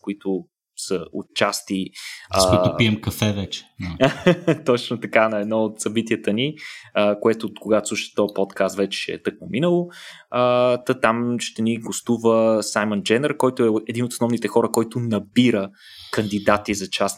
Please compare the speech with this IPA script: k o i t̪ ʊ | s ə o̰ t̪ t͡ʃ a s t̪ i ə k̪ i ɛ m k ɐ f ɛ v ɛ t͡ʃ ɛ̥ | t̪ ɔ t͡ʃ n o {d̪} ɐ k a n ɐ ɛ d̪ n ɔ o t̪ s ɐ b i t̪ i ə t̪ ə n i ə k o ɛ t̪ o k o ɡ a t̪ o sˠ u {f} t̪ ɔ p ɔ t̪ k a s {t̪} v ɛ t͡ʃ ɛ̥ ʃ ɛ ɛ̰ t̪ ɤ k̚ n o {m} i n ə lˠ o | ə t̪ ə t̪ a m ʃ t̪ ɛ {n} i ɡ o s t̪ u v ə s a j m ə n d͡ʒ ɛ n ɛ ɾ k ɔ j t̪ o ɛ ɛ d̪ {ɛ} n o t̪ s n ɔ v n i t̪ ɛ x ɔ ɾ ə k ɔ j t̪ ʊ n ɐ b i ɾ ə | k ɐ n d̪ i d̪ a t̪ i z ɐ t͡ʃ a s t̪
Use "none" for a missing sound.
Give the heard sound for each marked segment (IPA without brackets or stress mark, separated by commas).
t̪, ʃ, t̪, m, n, i